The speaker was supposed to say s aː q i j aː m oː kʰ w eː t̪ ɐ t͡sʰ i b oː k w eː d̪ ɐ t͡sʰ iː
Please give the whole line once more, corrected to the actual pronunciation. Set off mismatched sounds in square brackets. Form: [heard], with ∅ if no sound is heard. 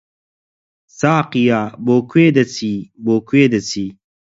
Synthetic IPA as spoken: s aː q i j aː [b] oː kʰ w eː [d̪] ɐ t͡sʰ i b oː k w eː d̪ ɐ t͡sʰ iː